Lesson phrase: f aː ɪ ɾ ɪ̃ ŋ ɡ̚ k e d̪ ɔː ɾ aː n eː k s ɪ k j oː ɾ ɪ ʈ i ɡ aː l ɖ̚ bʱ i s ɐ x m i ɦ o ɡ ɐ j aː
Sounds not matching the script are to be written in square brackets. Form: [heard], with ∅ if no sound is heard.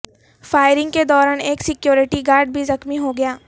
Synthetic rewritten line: f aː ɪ ɾ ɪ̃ ŋ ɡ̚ k e d̪ ɔː ɾ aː n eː k s ɪ k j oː ɾ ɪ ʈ i ɡ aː [ɾ] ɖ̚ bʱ i [z] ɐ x m i ɦ o ɡ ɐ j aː